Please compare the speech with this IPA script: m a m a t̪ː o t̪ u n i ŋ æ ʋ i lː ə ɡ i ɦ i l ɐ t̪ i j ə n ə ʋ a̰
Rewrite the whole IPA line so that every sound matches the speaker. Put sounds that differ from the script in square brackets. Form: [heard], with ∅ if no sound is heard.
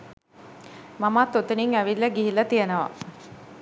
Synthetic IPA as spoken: m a m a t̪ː o t̪ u n i ŋ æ ʋ i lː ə ɡ i ɦ i l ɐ t̪ i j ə n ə ʋ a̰